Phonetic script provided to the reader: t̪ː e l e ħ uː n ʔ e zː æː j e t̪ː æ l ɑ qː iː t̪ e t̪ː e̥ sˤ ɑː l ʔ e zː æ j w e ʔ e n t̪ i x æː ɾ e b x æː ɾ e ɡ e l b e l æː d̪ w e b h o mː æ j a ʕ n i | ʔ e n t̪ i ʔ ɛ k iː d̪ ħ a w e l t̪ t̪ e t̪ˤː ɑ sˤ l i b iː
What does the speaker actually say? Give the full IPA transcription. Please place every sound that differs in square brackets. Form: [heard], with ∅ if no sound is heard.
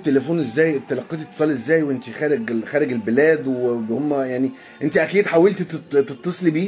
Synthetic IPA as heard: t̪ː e l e [f] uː n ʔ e zː æː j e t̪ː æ l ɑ qː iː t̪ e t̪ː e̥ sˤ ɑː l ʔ e zː [æː] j w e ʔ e n t̪ i x æː ɾ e [ɡ] x æː ɾ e ɡ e l b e l æː d̪ w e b h o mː æ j a ʕ n i | ʔ e n t̪ i ʔ [æ] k iː d̪ ħ a w e l t̪ t̪ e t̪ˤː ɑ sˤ l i b iː

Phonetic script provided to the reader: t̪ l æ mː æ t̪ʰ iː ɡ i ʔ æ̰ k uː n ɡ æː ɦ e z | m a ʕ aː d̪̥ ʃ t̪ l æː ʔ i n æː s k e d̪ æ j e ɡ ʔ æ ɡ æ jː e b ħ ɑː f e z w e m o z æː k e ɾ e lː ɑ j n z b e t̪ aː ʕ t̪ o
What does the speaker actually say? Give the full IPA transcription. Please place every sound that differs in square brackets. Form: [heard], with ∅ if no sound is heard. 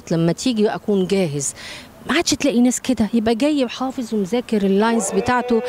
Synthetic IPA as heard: t̪ l æ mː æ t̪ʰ iː ɡ i ʔ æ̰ k uː n ɡ æː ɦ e z | m a ʕ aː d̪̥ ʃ t̪ l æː ʔ i n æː s k e d̪ æ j e [b] ʔ æ ɡ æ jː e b ħ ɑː f e z w e m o z æː k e ɾ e lː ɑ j n z b e t̪ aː ʕ t̪ o

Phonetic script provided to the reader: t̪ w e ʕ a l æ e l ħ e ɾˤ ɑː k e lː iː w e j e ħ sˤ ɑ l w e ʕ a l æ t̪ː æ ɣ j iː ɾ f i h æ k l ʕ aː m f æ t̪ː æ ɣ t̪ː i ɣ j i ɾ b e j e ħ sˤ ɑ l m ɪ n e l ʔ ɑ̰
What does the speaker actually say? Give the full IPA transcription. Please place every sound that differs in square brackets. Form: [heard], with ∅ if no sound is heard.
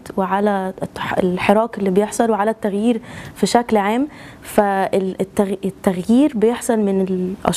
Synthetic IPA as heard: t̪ w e ʕ a l æ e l ħ e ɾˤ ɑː k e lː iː [b] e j e ħ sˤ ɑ l w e ʕ a l æ t̪ː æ ɣ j iː ɾ f i [ʃ] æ k l ʕ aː m f æ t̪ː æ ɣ t̪ː [æ] ɣ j [iː] ɾ b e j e ħ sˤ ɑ l m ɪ n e l ʔ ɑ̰

